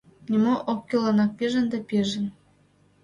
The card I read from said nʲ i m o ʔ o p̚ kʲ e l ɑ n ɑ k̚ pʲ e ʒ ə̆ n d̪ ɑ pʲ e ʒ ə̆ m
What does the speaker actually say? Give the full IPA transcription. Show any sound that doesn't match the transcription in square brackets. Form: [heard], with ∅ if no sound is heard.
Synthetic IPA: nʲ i m o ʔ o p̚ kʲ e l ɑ n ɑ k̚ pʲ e ʒ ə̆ n d̪ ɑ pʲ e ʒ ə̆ [n]

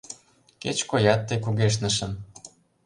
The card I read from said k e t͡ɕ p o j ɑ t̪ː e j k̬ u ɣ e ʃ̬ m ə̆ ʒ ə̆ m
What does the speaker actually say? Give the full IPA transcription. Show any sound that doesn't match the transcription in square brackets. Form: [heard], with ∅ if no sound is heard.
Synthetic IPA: k e t͡ɕ [k] o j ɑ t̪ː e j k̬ u ɣ e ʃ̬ [n] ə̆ [ʃ] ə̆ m

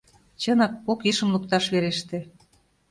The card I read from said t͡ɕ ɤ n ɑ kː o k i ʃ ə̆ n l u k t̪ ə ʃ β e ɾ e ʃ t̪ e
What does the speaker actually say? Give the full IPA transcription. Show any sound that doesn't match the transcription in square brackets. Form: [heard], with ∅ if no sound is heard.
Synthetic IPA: t͡ɕ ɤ n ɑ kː o k i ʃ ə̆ [m] l u k t̪ [ɑ] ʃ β e ɾ e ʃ t̪ e

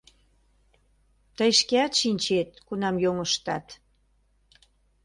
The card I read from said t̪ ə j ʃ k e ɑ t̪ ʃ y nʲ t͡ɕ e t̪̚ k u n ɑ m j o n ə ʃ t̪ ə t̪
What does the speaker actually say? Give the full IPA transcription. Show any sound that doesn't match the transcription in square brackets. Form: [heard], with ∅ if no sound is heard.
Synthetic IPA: t̪ ə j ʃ k e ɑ t̪ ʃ [i] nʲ t͡ɕ e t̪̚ k u n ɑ m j o [ŋ] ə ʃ t̪ [ɑ] t̪

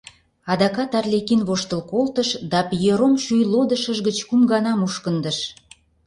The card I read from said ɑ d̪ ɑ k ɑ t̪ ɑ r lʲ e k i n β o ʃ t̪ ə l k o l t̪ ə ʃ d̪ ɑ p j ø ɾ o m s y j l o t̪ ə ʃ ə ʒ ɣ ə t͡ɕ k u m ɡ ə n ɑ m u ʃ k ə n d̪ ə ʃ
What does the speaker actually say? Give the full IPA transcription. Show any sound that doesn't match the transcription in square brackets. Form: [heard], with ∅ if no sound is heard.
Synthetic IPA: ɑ d̪ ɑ k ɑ t̪ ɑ r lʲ e k i n β o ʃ t̪ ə l k o l t̪ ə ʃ d̪ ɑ p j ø ɾ o m [ʃ] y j l o [d̪] ə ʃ ə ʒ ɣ ə t͡ɕ k u m ɡ [ɑ] n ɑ m u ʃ k ə n d̪ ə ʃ

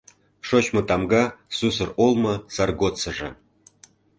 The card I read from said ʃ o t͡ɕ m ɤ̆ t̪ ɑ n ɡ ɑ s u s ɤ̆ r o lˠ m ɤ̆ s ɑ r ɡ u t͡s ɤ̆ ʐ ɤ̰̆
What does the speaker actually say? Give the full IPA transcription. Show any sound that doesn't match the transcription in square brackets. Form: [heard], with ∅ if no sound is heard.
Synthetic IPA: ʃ o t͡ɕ m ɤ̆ t̪ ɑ [m] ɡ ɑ s u s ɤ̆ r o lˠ m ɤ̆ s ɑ r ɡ [o] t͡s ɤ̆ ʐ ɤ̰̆

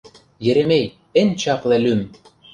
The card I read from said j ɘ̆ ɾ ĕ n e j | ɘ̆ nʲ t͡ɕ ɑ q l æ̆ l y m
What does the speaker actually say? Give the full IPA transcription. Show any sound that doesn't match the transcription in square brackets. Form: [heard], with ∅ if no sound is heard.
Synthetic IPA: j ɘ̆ ɾ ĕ [m] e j | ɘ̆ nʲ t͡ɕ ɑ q l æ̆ l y m

